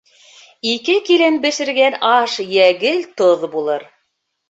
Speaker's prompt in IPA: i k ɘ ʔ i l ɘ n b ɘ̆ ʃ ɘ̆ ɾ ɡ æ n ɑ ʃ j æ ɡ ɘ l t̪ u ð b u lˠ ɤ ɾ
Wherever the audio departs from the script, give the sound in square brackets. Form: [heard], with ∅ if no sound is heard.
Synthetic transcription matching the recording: i k ɘ [k] i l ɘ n b ɘ̆ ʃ ɘ̆ ɾ ɡ æ n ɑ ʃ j æ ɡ ɘ l t̪ [o] ð b u lˠ ɤ ɾ